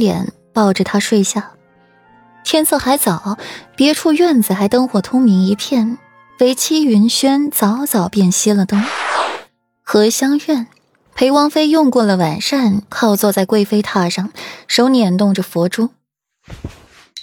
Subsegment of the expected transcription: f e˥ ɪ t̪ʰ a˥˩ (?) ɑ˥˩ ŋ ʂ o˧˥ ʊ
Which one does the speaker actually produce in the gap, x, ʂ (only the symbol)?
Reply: ʂ